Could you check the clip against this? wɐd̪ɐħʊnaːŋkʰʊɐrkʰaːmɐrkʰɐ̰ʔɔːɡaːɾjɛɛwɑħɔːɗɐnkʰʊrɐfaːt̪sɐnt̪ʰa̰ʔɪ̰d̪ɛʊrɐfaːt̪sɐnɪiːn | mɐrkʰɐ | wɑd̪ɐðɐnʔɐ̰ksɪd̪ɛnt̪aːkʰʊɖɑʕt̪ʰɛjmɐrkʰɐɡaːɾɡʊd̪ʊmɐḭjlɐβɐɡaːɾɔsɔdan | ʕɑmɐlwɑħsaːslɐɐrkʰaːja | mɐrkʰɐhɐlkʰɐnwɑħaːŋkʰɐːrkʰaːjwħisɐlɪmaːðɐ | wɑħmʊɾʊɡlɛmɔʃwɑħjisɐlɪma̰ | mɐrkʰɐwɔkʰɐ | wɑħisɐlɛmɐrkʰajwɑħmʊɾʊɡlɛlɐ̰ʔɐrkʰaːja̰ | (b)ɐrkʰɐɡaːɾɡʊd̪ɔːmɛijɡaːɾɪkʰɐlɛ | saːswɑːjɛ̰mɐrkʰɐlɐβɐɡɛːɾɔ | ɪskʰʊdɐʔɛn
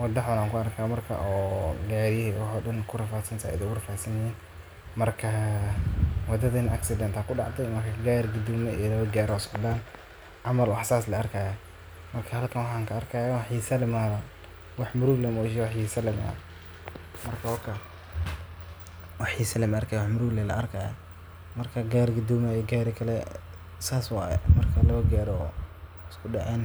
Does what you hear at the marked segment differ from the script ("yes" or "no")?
yes